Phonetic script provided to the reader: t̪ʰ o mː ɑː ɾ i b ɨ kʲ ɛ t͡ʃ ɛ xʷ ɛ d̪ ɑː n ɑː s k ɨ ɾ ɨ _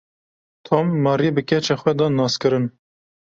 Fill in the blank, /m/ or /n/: n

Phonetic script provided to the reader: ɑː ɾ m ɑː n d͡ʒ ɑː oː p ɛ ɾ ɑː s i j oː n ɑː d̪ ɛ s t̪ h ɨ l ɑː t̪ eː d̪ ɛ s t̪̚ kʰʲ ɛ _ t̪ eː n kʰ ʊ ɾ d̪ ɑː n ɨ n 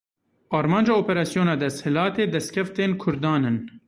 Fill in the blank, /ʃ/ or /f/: f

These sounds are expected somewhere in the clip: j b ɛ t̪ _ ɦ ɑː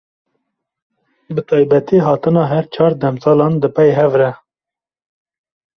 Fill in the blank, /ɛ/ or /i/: i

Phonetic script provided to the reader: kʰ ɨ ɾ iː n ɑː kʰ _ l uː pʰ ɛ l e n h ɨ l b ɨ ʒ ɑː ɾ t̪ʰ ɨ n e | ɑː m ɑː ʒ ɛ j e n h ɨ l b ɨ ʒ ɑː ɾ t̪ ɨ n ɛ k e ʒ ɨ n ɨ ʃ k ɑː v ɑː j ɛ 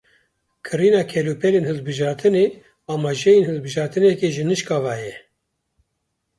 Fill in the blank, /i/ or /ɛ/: ɛ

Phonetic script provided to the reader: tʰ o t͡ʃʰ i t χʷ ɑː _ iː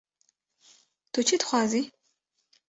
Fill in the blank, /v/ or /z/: z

